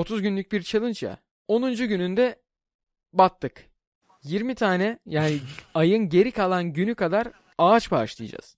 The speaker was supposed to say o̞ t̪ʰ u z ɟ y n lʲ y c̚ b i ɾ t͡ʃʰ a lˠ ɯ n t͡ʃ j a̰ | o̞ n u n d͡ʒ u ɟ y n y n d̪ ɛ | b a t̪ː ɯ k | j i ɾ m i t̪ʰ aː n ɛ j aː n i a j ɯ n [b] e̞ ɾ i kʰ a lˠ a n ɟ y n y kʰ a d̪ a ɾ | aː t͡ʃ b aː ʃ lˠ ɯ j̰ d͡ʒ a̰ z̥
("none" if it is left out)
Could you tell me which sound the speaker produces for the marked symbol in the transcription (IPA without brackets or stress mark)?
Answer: ɟ